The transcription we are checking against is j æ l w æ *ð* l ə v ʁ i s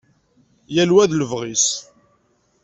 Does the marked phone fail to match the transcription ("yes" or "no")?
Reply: no